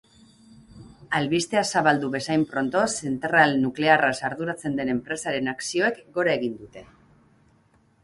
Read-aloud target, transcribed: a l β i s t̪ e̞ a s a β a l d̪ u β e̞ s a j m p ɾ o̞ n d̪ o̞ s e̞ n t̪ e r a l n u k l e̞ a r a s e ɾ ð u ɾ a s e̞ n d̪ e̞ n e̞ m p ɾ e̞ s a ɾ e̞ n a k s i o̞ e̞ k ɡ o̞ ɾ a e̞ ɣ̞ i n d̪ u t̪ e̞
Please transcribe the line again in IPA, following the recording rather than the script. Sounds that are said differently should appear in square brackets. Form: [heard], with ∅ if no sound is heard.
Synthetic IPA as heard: a l β i s t̪ e̞ a s a β a l d̪ u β e̞ s a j m p ɾ o̞ n [t̪] o̞ s e̞ n t̪ e r a l n u k l e̞ a r a s [a] ɾ ð u ɾ a [t͡s] e̞ n d̪ e̞ n e̞ m p ɾ e̞ s a ɾ e̞ n a k s i o̞ e̞ k ɡ o̞ ɾ a e̞ ɣ̞ i n d̪ u t̪ e̞